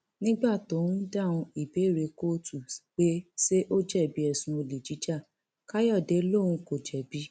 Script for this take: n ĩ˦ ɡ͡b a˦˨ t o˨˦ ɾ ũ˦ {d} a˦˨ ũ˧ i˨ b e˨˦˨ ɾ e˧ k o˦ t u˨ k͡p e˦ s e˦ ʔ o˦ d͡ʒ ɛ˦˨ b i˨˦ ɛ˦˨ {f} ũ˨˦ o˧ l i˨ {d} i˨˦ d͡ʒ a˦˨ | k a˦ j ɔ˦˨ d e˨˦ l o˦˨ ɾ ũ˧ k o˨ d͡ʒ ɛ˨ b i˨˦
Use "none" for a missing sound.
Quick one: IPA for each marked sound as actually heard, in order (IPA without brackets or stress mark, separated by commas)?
d, s, d͡ʒ